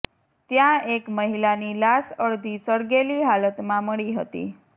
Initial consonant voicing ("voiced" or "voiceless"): voiceless